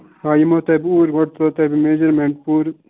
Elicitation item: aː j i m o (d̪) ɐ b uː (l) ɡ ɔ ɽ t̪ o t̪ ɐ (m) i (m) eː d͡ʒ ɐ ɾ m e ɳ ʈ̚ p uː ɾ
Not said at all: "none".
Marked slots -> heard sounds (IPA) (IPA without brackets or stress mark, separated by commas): t̪, ɾ, b, m